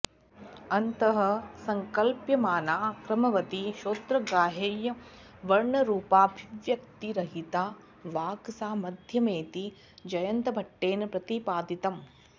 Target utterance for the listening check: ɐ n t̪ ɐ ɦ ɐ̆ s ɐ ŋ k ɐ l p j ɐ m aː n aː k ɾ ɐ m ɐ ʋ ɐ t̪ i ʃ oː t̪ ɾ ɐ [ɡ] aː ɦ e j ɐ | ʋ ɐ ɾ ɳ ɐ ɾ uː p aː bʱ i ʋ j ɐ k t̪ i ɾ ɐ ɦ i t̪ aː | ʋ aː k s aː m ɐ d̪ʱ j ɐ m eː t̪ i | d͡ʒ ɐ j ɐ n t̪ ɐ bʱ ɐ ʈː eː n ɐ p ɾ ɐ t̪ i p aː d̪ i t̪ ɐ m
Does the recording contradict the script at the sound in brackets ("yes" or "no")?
no